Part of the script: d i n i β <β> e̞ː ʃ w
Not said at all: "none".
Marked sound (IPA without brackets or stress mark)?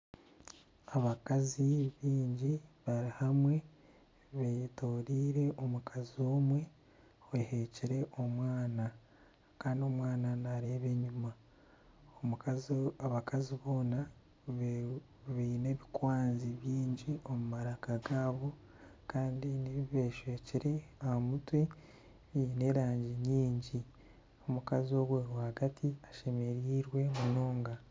β